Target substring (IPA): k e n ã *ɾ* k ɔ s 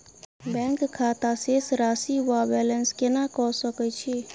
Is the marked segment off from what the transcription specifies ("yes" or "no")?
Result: yes